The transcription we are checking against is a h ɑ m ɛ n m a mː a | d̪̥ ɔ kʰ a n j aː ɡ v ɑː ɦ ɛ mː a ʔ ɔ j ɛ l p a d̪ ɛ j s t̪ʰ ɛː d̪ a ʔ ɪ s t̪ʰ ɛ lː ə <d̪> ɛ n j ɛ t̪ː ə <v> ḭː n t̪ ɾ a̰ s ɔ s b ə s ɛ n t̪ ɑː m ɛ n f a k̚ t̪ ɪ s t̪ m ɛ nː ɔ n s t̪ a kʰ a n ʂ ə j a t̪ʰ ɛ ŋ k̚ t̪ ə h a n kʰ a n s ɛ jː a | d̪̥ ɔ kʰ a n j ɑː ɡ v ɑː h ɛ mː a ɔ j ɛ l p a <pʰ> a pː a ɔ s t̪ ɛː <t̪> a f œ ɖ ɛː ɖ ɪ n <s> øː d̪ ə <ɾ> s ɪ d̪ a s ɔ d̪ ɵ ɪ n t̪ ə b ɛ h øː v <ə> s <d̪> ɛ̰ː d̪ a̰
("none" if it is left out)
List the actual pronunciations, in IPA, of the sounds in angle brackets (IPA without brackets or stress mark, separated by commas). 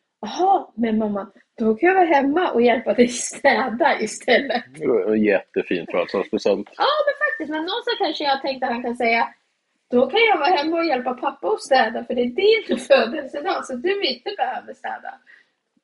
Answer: t̪, f, pʰ, d̪, f, l, ə, t̪